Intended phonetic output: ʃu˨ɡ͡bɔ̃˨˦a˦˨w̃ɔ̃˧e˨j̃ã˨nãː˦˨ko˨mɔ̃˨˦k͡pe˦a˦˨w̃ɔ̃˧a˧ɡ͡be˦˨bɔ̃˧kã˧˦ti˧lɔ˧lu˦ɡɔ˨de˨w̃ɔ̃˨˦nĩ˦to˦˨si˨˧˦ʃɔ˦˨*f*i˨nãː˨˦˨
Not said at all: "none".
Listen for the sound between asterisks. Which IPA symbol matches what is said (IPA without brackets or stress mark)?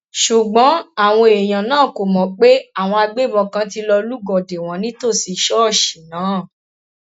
ʃ